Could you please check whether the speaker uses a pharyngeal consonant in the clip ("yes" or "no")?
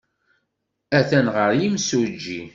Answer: no